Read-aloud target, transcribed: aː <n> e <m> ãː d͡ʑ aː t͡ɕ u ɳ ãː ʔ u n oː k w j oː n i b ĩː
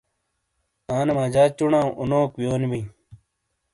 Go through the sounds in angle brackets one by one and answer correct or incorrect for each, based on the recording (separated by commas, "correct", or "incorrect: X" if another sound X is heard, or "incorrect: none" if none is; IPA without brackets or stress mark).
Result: correct, correct